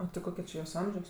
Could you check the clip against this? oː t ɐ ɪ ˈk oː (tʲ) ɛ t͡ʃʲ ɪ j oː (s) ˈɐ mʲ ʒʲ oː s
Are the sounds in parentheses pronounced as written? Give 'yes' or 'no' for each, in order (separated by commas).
no, yes